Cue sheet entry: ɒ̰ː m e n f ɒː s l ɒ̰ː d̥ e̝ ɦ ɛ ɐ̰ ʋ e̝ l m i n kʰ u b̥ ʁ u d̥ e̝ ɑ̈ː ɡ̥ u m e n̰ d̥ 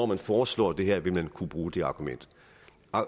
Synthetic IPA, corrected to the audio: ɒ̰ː m æ n f ɒː s l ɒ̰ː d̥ e̝ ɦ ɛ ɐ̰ ʋ e̝ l m æ n kʰ u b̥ ʁ uː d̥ e̝ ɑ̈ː ɡ̥ u m e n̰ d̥